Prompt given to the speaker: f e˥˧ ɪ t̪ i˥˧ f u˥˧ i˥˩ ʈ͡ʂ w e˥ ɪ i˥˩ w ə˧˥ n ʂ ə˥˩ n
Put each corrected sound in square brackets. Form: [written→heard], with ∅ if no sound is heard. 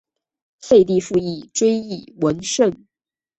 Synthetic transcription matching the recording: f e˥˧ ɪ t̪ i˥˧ f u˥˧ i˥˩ ʈ͡ʂ w e˥ ɪ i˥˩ w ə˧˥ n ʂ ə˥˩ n